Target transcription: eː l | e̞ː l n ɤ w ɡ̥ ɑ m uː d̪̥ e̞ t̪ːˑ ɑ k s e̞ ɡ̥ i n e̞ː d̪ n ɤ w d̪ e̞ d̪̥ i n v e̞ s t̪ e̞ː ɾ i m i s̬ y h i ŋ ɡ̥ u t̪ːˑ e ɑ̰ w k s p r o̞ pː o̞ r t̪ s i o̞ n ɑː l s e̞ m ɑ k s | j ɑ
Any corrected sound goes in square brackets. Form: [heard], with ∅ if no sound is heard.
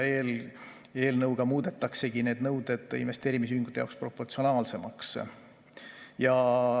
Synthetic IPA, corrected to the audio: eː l | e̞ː l n ɤ w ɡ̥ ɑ m uː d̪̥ e̞ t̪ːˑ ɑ k s e̞ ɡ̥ i n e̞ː d̪ n ɤ w d̪ e̞ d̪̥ i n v e̞ s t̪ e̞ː ɾ i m i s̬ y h i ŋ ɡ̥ u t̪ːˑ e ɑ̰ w k s p r o̞ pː o̞ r t̪ s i o̞ n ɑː l s e̞ m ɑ k s | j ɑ